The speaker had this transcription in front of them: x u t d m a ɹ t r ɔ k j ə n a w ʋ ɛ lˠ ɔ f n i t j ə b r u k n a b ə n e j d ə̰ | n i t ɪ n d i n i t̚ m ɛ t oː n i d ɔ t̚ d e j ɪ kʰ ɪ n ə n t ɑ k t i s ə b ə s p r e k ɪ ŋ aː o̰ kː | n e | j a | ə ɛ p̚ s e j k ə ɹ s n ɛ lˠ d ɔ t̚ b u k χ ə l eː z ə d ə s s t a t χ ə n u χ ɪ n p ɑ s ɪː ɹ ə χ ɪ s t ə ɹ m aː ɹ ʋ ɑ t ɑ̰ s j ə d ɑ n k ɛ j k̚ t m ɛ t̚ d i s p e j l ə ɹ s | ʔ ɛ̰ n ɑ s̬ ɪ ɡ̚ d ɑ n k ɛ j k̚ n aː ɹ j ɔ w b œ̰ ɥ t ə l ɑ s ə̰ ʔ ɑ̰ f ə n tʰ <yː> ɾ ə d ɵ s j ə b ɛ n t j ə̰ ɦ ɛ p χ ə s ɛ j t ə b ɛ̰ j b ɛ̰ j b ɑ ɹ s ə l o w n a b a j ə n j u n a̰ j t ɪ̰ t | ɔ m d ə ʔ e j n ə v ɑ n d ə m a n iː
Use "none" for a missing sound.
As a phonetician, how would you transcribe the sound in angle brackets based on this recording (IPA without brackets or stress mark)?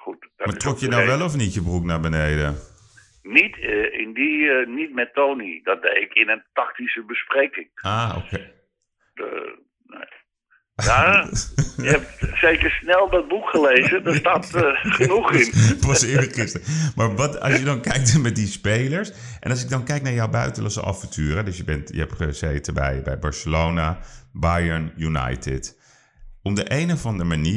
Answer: yː